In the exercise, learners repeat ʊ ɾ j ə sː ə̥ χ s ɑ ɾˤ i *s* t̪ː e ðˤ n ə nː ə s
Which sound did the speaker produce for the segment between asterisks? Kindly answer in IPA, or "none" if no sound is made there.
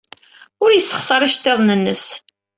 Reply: ʃ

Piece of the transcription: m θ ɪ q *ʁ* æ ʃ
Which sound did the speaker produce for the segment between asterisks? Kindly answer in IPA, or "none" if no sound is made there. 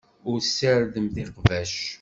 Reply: v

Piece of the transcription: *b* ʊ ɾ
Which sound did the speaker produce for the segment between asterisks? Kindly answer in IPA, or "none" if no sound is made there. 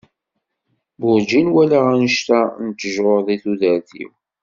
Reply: b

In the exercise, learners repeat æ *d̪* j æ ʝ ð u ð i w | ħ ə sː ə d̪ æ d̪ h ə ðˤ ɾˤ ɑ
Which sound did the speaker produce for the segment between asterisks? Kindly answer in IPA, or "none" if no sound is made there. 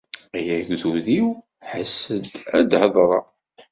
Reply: none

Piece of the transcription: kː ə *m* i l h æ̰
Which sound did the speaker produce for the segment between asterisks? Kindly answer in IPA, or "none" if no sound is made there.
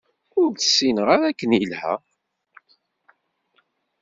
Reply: n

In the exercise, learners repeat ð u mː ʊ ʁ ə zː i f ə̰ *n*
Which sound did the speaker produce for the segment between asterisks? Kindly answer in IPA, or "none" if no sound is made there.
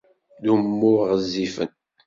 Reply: n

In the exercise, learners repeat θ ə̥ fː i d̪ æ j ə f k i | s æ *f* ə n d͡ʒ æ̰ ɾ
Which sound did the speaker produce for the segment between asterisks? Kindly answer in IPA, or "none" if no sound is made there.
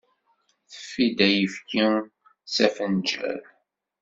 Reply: f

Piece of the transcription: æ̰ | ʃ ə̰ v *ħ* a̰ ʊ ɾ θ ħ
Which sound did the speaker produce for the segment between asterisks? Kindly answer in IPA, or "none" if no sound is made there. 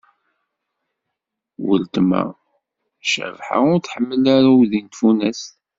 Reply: ħ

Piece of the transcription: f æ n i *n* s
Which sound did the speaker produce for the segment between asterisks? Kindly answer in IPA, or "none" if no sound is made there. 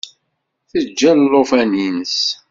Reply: n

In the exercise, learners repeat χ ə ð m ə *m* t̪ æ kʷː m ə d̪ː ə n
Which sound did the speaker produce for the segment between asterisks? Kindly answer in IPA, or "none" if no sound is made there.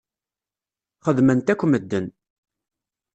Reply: n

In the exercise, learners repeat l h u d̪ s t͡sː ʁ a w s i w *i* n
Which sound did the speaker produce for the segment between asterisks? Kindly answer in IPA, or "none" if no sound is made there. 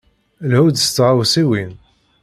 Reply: i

